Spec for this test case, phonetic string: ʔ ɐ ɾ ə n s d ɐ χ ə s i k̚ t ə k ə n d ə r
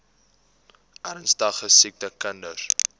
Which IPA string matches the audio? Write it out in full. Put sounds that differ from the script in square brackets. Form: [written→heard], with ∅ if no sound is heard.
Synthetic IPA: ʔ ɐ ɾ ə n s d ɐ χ ə s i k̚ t ə k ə n d ə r